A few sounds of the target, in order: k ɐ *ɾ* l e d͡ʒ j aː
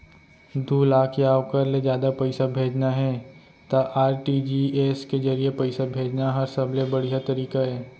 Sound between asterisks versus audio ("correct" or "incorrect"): correct